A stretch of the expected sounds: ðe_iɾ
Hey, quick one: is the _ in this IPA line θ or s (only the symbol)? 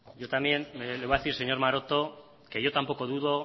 θ